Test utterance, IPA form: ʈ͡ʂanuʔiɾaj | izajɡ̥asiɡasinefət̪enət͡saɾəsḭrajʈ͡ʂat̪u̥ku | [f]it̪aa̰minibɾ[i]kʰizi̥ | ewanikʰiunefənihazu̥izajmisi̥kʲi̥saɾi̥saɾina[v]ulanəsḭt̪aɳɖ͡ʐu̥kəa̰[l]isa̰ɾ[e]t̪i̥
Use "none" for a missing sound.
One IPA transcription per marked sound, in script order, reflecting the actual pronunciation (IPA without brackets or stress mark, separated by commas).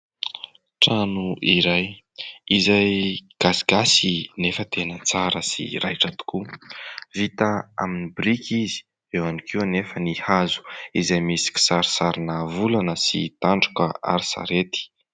v, i, v, ɾ, e